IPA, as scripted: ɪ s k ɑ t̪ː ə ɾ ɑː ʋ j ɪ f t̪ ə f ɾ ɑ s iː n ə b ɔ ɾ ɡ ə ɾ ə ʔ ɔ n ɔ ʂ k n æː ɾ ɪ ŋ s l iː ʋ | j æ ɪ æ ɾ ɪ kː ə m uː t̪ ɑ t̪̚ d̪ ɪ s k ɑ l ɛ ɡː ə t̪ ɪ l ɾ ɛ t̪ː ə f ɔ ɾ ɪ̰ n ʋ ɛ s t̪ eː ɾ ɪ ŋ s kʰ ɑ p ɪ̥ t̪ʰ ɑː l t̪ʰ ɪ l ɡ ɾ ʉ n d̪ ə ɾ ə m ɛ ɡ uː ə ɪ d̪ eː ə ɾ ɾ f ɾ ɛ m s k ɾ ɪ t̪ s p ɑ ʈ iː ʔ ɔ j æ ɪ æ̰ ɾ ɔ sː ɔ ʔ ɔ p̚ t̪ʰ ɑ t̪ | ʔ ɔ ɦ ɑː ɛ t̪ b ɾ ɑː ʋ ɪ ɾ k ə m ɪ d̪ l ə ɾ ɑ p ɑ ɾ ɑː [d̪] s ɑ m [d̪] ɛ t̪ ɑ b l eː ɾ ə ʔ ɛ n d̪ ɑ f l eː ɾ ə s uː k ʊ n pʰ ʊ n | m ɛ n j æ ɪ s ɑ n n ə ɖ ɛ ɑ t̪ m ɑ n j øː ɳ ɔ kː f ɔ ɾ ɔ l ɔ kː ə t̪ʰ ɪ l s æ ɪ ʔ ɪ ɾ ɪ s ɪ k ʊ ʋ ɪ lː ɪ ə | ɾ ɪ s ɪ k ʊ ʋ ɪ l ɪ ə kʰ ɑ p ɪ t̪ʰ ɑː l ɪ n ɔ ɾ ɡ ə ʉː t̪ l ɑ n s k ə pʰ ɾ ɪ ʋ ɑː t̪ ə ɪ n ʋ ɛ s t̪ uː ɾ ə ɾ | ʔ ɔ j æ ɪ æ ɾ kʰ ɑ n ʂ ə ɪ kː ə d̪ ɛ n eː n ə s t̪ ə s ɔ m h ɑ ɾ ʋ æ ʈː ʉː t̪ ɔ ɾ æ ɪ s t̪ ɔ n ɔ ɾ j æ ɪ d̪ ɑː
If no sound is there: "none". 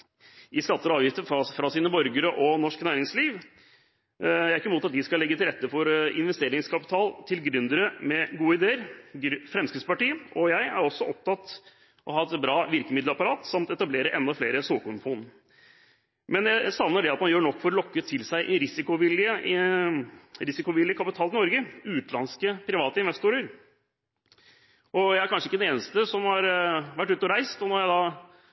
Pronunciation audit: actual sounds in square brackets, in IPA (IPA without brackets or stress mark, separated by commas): t̪, t̪